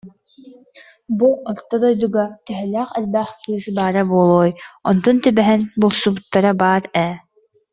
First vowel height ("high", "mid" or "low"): high